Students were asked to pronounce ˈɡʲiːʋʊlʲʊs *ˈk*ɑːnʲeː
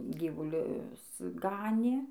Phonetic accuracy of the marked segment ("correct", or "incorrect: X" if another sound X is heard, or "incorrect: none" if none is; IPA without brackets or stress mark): incorrect: ɡ